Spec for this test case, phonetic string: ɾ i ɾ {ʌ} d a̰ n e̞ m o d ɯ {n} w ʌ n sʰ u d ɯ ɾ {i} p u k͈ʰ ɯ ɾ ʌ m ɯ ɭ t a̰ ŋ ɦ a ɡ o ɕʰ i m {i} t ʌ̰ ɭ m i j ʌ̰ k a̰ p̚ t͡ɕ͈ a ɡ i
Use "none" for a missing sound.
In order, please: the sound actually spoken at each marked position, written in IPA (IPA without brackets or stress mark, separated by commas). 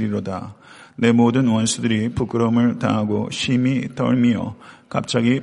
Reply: ʌ, n, i, i